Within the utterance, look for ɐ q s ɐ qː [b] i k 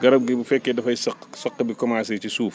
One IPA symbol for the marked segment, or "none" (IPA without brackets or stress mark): b